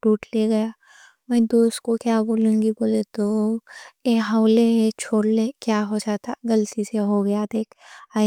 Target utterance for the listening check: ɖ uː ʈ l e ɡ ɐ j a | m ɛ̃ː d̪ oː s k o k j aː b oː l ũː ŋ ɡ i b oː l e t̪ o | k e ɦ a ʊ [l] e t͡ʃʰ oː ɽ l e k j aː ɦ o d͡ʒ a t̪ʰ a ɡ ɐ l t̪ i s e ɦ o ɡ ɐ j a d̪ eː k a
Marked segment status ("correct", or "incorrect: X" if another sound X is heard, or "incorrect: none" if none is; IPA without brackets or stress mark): correct